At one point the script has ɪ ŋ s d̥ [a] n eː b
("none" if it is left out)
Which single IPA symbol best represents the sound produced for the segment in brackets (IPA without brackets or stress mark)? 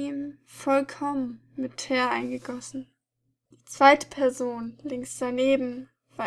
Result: a